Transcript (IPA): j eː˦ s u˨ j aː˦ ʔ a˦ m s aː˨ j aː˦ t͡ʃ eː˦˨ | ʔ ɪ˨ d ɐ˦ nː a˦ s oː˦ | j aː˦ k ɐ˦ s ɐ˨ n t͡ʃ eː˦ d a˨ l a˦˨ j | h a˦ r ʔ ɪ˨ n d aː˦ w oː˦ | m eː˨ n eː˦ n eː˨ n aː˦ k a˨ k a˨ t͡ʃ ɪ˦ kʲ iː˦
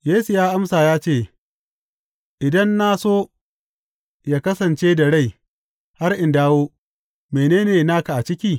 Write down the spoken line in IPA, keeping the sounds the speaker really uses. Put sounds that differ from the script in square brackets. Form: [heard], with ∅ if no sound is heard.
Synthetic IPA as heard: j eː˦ s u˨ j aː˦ ʔ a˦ m s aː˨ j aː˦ t͡ʃ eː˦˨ | ʔ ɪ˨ d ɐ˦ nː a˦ s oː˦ | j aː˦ k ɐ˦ s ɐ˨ n t͡ʃ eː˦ d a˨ [ɽ] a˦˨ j | h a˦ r ʔ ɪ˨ n d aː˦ w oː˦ | m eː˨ n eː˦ n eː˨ n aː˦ k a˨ [ʔ] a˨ t͡ʃ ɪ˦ kʲ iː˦